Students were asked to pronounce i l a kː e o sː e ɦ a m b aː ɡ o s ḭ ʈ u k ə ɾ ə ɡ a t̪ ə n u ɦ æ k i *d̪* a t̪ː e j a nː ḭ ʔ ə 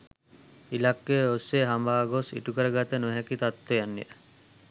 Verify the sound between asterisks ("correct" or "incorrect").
incorrect